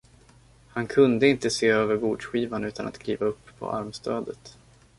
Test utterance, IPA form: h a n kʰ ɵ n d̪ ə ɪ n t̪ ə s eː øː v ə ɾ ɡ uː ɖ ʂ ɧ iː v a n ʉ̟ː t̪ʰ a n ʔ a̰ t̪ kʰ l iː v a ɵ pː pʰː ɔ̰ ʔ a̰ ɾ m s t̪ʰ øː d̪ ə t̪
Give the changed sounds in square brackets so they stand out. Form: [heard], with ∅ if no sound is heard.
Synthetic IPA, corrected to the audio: h a n kʰ ɵ n d̪ ə ɪ n t̪ ə s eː øː v ə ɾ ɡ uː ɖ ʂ ɧ iː v a n ʉ̟ː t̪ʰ a n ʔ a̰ t̪ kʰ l iː v a ɵ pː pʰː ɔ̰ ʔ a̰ ɾ m s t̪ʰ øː d̪ ə t̪